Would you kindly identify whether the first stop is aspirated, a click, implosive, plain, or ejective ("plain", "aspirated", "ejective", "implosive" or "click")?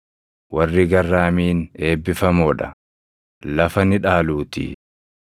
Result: plain